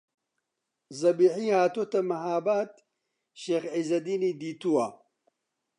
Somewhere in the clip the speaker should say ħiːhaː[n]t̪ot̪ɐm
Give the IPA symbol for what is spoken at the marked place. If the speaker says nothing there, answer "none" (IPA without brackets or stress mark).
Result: none